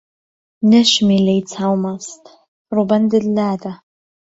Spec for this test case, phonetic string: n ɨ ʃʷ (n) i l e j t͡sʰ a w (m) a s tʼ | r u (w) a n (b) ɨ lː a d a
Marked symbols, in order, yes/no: no, yes, no, no

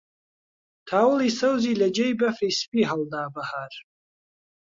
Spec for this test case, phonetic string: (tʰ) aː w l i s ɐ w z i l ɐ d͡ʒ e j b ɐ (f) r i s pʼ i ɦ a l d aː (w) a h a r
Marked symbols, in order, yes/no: yes, yes, no

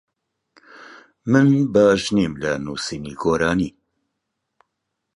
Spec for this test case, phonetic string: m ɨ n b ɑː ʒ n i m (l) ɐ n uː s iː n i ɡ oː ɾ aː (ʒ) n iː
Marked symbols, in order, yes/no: yes, no

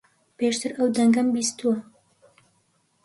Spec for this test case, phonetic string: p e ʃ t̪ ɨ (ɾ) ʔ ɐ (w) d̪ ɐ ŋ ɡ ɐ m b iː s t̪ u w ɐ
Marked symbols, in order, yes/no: yes, yes

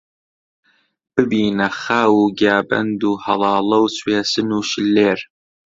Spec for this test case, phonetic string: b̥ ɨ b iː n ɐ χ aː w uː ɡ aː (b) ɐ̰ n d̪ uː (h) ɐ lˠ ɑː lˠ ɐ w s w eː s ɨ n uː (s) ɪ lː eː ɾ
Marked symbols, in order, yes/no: yes, yes, no

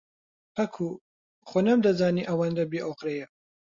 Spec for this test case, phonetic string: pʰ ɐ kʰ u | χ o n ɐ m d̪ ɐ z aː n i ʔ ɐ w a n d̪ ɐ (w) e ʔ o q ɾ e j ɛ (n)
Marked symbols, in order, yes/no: no, no

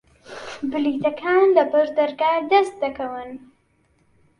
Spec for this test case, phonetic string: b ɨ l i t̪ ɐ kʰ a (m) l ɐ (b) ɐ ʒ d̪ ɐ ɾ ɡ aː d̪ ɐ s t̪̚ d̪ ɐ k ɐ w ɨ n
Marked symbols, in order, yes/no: no, yes

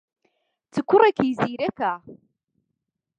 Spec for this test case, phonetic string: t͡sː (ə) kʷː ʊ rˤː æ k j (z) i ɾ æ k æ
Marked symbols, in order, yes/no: yes, yes

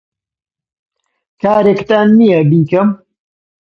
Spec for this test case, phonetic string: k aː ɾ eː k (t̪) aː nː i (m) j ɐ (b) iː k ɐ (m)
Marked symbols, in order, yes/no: yes, no, yes, yes

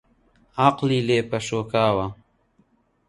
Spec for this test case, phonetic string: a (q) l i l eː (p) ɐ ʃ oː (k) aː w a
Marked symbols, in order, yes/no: yes, yes, yes

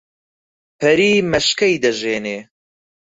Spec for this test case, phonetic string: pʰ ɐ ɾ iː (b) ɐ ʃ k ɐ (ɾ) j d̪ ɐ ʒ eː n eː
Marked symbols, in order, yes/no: no, no

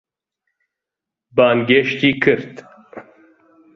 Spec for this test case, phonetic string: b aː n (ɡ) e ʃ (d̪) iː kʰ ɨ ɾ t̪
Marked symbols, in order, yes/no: yes, no

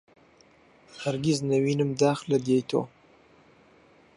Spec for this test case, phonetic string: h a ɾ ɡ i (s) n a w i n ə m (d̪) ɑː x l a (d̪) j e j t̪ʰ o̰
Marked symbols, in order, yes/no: no, yes, yes

